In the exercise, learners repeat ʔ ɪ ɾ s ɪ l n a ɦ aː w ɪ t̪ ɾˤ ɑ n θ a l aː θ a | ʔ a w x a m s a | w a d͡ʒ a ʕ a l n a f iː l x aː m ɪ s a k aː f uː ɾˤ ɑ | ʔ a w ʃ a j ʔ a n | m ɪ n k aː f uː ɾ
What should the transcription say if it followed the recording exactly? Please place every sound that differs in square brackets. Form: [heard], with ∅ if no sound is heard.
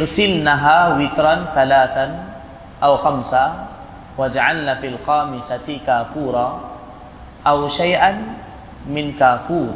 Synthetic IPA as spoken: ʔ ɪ ɾ s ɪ l n a ɦ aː w ɪ t̪ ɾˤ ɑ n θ a l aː θ a | ʔ a w x a m s a | w a d͡ʒ a ʕ a l n a f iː l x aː m ɪ s a k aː f uː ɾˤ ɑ | ʔ a w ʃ a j ʔ a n | m ɪ n k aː f uː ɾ